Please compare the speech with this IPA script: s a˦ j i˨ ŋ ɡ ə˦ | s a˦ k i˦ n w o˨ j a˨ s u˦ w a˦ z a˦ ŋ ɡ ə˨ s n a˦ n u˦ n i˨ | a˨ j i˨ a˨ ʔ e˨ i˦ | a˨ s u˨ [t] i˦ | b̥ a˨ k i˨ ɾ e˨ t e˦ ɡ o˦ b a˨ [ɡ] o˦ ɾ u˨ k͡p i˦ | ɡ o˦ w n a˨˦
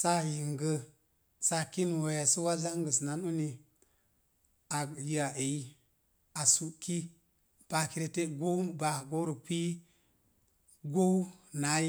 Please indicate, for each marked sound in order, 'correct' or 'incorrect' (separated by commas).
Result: incorrect, correct